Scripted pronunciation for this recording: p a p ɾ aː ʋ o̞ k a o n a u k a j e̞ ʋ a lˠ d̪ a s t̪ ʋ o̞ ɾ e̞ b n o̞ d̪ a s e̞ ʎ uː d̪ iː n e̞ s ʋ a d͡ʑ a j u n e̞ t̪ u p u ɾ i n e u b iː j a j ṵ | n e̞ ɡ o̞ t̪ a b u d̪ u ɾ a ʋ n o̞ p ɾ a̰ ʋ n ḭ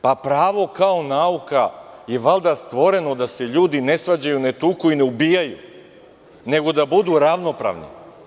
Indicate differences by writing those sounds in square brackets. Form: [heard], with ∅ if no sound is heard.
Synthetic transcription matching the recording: p a p ɾ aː ʋ o̞ k a o n a u k a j e̞ ʋ a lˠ d̪ a s t̪ ʋ o̞ ɾ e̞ [∅] n o̞ d̪ a s e̞ ʎ uː d̪ [i] n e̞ s ʋ a d͡ʑ a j u n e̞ t̪ u [k] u [∅] i n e u b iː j a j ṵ | n e̞ ɡ o̞ [d̪] a b u d̪ u ɾ a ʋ n o̞ p ɾ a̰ ʋ n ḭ